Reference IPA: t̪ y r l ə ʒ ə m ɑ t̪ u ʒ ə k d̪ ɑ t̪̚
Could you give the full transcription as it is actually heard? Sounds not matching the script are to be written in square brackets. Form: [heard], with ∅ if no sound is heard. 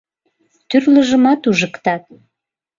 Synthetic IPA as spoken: t̪ y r l ə ʒ ə m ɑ t̪ u ʒ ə k [t̪] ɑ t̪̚